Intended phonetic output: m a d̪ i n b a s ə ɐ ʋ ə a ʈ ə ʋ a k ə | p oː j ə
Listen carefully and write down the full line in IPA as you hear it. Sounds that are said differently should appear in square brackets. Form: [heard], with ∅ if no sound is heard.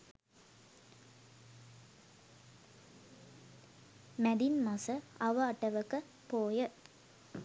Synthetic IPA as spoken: m [æ] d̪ i n [m] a s ə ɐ ʋ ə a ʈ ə ʋ [ə] k ə | p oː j ə